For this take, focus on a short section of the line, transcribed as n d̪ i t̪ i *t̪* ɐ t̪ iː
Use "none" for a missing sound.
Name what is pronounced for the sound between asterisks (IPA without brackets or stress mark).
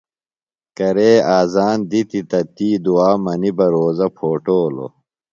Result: t̪